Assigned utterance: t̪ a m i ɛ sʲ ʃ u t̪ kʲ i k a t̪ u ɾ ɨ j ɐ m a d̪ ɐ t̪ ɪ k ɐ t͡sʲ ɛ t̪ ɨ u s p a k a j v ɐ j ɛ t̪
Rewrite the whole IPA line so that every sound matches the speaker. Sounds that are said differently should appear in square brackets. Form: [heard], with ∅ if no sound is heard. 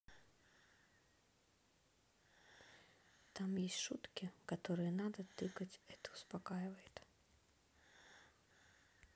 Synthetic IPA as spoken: t̪ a m [j] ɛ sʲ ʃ u t̪ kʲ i k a t̪ [ɔ] ɾ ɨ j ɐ [n] a d̪ ɐ t̪ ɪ k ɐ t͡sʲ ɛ t̪ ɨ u s p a k a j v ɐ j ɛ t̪